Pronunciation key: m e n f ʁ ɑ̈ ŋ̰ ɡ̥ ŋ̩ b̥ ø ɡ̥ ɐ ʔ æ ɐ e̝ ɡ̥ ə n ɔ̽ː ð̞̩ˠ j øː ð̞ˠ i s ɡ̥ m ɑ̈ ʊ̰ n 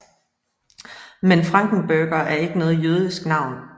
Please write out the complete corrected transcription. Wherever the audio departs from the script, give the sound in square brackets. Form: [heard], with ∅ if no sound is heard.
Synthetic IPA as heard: m e n f ʁ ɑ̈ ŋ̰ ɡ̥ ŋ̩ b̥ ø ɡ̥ ɐ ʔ æ ɐ e̝ ɡ̥ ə n ɔ̽ː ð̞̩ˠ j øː ð̞ˠ i s ɡ̥ [n] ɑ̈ ʊ̰ n